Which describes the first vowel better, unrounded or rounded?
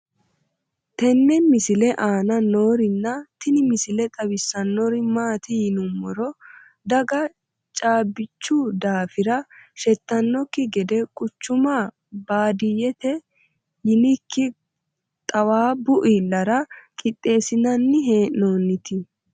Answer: unrounded